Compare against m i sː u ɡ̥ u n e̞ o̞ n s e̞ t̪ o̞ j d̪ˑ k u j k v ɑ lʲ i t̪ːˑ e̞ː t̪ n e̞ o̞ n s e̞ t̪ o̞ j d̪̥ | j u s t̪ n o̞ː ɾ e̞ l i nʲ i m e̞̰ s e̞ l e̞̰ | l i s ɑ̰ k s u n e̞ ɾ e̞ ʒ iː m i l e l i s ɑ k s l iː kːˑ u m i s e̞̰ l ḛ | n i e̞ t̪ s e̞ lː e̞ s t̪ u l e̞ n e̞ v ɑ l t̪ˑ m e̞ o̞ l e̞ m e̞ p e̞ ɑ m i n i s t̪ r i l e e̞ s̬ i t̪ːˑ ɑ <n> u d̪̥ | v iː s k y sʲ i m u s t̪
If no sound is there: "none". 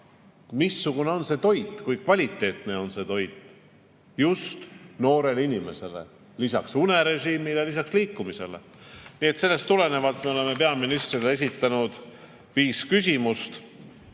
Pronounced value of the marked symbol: n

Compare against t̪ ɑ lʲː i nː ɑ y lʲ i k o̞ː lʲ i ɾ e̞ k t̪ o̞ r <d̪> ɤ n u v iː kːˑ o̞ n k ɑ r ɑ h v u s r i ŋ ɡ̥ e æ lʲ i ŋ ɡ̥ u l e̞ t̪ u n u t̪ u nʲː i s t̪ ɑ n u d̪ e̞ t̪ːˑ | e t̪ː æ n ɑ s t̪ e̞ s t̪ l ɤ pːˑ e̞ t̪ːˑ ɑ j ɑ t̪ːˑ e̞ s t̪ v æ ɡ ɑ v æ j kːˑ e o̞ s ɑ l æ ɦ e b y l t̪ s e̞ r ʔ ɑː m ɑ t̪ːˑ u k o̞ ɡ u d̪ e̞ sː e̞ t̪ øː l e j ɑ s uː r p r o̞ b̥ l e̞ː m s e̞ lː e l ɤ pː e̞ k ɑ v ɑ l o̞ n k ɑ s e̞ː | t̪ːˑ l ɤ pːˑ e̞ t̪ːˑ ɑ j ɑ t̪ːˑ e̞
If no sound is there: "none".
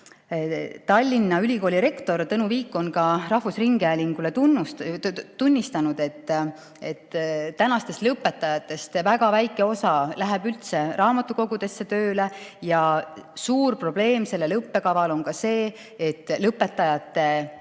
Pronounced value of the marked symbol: t̪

